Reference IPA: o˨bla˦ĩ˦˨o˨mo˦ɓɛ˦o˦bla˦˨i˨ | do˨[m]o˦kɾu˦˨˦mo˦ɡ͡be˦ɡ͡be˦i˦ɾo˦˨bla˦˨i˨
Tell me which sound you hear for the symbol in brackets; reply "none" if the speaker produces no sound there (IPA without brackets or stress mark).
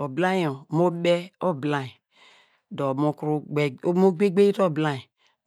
m